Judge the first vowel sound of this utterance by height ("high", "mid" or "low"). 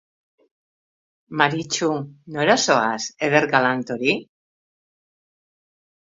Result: low